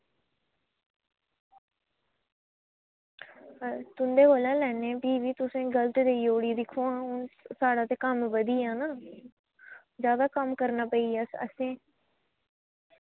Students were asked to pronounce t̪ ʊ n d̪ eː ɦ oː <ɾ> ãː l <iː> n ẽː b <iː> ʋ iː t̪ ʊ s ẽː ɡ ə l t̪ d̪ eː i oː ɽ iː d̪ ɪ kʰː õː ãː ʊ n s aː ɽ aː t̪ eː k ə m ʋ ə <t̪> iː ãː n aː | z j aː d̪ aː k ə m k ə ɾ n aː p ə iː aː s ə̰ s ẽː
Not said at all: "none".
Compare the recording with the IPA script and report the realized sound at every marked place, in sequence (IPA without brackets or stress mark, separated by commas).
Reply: l, ɛː, iː, d̪